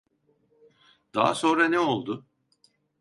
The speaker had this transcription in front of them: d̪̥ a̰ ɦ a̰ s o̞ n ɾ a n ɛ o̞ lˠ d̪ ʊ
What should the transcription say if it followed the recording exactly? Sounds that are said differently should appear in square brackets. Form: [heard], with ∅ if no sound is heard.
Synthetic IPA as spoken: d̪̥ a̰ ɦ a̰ s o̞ n ɾ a n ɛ o̞ lˠ d̪ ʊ